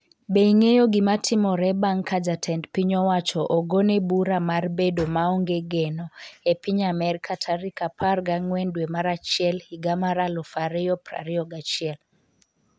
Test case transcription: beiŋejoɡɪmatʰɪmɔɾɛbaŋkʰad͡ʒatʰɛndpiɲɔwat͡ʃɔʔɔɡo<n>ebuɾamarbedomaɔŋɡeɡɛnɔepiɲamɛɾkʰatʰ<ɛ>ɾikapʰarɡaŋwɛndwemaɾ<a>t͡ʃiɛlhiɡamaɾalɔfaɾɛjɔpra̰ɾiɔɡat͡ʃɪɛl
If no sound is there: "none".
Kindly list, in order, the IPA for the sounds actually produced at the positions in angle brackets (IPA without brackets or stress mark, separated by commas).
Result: n, a, a